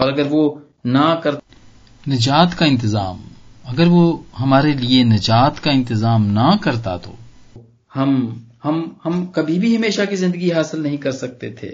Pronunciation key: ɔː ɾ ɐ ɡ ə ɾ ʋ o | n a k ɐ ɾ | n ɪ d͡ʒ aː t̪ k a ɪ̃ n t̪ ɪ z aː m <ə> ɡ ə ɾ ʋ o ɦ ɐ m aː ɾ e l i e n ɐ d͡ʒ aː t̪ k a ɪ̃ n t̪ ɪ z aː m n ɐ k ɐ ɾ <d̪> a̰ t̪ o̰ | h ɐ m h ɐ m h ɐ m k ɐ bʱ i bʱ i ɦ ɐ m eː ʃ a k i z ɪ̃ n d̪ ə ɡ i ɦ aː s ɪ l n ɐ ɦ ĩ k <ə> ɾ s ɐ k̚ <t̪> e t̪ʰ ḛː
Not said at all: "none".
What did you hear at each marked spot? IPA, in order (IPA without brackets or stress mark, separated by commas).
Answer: ɐ, t̪, ɐ, t̪